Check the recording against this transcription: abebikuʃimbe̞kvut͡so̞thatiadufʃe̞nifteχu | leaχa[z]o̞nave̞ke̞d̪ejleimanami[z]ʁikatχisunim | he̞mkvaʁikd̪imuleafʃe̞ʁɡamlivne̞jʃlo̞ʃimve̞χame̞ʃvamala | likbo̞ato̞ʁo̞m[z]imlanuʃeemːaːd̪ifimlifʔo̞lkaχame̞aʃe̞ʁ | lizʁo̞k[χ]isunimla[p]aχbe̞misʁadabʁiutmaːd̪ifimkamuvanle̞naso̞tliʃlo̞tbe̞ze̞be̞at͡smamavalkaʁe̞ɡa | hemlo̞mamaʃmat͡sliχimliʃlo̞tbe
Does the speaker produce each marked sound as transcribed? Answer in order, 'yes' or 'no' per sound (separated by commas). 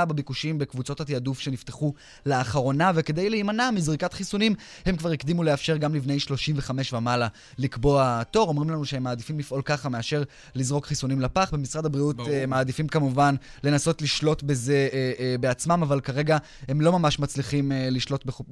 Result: no, yes, no, yes, yes